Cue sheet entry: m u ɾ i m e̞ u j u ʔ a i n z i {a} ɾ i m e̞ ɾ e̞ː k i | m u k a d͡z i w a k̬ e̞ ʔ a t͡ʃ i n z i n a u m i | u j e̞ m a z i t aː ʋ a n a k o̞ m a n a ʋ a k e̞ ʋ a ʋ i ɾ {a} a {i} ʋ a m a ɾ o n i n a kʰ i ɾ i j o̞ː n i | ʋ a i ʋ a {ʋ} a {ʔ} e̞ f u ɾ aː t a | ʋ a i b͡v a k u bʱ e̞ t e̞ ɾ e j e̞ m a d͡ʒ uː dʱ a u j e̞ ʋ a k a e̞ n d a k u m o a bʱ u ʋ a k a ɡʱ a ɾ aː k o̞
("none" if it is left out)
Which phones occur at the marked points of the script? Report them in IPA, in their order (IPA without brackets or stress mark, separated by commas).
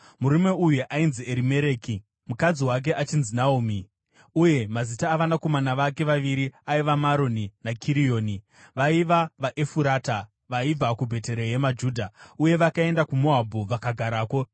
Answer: e, i, i, ʋ, ʔ